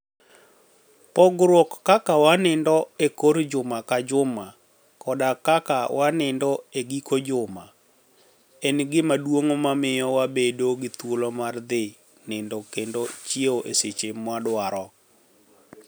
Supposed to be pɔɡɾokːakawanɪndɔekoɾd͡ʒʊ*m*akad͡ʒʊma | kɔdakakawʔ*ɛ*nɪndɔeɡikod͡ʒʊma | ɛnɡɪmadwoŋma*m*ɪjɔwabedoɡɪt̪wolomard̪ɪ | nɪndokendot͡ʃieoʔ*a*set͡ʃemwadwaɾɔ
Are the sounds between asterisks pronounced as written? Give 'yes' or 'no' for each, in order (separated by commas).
yes, no, yes, no